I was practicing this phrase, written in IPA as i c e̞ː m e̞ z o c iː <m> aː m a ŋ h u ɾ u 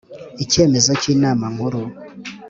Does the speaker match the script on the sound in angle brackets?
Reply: no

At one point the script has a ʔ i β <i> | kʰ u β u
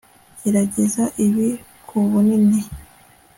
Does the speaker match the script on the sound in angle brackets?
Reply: yes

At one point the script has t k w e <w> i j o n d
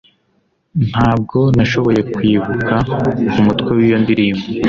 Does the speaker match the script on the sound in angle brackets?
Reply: yes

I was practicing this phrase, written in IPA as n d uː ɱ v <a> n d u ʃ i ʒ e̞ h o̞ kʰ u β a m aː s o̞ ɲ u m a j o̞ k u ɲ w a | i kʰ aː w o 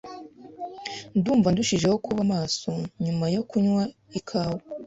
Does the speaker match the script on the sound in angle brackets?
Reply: yes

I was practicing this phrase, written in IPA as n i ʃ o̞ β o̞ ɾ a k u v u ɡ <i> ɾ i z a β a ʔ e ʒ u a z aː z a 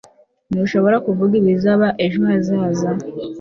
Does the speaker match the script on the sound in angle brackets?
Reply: yes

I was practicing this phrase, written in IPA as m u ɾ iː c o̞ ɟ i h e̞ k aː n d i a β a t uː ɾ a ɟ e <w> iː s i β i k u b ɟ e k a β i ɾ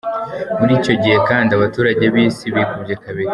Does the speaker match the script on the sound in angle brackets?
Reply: no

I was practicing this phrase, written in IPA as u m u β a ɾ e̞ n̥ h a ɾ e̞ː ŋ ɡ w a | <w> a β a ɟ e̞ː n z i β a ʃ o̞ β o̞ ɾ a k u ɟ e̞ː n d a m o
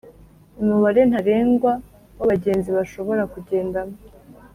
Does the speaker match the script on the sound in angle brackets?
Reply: yes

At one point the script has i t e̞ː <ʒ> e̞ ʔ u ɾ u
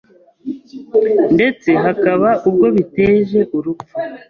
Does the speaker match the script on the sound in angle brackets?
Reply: yes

